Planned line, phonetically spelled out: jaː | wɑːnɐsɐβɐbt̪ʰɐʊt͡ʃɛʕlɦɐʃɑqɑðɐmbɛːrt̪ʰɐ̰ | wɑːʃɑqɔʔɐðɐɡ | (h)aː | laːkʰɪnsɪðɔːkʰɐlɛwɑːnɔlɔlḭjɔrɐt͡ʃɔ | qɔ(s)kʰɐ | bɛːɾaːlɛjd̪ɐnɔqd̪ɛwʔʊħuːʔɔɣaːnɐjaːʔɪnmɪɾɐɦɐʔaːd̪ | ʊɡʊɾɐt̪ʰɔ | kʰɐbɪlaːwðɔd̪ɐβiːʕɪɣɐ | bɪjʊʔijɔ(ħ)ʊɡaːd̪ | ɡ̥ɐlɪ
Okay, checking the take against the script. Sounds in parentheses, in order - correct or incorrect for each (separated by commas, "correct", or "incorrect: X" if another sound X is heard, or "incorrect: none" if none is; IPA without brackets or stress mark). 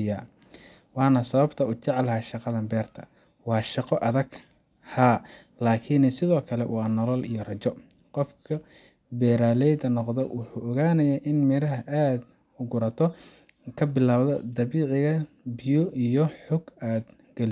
correct, incorrect: f, correct